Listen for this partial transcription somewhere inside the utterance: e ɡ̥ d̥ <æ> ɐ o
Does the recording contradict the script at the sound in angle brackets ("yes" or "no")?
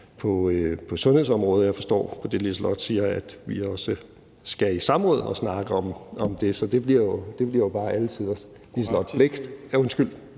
no